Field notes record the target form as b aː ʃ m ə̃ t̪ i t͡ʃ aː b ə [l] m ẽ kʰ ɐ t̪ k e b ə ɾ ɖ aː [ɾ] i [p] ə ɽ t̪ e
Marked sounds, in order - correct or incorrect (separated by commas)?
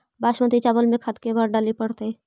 correct, incorrect, correct